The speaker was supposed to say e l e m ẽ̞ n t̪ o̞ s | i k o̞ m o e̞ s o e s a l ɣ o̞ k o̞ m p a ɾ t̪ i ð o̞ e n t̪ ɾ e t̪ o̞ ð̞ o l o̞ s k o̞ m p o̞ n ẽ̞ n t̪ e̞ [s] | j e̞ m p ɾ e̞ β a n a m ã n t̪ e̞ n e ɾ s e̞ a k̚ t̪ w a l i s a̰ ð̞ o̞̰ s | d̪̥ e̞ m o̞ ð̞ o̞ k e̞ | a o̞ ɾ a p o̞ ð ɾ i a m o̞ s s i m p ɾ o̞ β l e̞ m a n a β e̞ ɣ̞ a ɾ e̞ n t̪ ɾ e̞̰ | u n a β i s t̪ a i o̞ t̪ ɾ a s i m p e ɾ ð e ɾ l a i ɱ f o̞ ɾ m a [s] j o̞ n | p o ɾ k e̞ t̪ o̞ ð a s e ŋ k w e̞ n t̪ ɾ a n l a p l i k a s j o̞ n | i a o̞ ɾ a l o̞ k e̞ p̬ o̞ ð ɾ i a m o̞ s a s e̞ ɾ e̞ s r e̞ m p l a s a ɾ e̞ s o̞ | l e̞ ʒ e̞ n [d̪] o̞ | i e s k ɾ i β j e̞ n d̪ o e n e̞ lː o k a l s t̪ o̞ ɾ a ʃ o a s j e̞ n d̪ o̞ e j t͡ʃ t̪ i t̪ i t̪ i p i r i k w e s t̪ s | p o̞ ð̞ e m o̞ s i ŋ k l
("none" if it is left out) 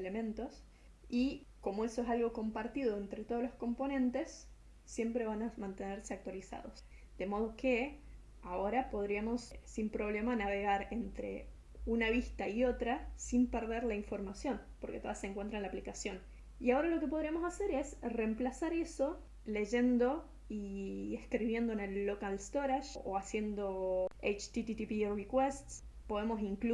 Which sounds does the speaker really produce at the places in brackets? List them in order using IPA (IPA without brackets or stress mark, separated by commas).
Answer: sː, s, d̪